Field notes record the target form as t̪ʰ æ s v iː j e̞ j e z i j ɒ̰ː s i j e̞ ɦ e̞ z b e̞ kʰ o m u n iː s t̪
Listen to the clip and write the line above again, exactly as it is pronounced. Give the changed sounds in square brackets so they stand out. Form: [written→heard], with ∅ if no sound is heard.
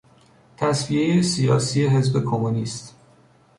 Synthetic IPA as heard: t̪ʰ æ s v [iː→i] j e̞ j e [z→s] i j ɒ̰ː s i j e̞ ɦ e̞ z b e̞ kʰ o m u n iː s t̪